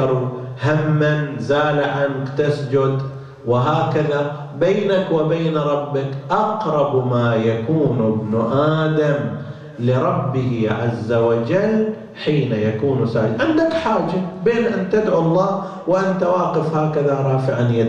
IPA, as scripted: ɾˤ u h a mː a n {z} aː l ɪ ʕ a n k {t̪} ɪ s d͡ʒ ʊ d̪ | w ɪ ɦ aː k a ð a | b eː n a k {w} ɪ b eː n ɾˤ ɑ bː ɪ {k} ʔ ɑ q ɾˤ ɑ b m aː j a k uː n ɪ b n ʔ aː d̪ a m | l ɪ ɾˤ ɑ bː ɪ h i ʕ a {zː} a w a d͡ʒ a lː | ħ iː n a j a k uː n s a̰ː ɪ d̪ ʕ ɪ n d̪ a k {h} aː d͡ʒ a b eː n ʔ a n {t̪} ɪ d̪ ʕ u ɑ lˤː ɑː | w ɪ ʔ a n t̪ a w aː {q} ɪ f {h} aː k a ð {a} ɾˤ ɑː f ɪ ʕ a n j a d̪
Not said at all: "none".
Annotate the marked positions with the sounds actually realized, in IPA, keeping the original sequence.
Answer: z, t̪, w, k, zː, ħ, t̪, q, h, a

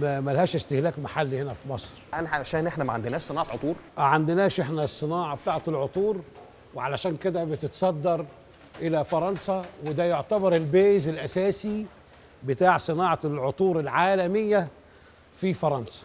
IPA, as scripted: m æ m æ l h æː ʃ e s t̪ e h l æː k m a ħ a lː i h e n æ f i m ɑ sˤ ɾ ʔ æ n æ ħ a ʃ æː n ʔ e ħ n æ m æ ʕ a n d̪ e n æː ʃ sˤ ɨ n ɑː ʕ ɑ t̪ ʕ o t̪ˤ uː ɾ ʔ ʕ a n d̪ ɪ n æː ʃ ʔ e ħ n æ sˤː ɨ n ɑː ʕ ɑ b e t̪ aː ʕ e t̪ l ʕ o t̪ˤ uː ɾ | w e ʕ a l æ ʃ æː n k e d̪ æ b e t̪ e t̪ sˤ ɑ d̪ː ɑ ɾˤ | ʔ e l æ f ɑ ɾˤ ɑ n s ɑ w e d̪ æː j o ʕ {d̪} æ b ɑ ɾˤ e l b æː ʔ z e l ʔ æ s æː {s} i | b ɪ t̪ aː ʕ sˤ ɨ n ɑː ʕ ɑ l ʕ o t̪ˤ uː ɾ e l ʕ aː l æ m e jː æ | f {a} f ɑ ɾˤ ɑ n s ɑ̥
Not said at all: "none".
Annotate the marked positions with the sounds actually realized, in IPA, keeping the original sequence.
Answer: t̪, s, i

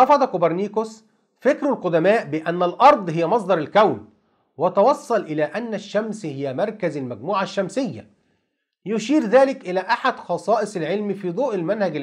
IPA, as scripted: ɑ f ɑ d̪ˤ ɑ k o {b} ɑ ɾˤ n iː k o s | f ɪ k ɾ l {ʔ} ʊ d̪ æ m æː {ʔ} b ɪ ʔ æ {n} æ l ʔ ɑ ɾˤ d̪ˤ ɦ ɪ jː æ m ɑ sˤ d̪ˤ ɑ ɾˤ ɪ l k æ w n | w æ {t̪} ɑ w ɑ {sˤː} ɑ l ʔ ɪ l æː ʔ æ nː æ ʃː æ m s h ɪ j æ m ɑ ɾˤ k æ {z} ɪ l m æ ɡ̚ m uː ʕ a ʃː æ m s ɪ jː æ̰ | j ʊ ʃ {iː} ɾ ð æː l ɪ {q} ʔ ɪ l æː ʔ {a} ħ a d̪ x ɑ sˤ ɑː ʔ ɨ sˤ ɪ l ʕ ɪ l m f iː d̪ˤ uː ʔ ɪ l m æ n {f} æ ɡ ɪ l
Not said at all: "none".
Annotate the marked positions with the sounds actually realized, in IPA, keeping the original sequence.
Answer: b, q, ʔ, nː, t̪, sˤː, z, iː, k, a, h

